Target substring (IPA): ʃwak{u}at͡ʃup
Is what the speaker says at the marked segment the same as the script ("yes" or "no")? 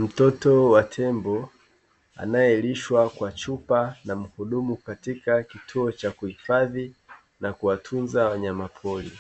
no